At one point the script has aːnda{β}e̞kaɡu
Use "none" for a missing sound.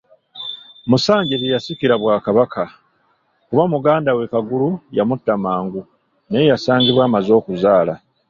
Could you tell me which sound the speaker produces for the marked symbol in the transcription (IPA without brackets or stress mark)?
w